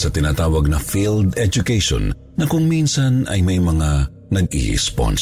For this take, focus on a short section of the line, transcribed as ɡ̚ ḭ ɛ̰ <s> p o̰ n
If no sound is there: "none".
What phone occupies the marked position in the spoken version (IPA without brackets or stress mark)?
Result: s